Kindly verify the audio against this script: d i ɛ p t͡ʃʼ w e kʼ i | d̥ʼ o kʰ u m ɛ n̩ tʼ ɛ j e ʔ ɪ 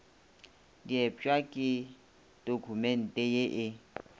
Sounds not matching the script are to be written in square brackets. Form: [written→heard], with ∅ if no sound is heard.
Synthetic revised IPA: d i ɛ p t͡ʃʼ w [e→a] kʼ [i→ɪ] | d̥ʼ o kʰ u m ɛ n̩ tʼ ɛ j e ʔ ɪ